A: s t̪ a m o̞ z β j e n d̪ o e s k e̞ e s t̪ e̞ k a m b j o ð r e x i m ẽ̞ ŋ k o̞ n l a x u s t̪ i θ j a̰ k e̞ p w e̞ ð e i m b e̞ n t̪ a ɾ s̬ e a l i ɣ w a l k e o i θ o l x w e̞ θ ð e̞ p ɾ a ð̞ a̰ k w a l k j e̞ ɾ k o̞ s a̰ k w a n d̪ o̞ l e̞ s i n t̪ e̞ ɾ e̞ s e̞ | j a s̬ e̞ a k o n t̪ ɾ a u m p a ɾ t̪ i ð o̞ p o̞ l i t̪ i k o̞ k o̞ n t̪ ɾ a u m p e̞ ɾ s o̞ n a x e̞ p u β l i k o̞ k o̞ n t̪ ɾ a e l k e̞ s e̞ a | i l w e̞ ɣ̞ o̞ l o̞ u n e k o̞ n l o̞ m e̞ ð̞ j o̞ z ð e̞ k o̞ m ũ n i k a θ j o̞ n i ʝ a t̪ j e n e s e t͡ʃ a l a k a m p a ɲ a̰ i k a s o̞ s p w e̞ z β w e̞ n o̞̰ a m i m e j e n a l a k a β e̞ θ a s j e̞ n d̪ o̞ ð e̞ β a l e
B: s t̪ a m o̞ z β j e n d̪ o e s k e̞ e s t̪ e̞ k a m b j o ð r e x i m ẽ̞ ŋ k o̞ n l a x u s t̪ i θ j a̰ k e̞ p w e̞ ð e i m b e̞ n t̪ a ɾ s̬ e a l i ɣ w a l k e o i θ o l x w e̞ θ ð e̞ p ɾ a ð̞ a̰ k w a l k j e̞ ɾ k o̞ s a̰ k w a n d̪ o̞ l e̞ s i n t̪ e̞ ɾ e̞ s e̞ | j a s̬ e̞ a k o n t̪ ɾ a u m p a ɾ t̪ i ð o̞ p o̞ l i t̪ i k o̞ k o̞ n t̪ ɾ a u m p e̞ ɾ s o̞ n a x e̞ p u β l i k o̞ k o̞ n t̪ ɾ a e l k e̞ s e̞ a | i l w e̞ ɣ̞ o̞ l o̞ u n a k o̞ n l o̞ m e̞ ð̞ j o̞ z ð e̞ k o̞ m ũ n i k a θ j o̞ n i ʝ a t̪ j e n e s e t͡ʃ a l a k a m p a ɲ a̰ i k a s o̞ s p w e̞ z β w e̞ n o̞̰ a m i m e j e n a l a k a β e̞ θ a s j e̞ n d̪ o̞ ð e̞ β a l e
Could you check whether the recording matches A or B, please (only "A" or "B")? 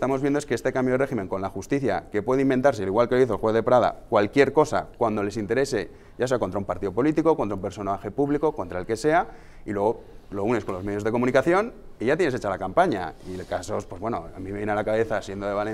A